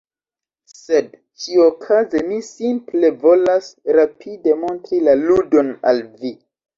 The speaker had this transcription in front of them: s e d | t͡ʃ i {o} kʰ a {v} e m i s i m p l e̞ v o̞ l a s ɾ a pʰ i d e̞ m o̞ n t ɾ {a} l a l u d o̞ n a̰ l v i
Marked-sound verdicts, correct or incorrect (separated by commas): correct, incorrect, incorrect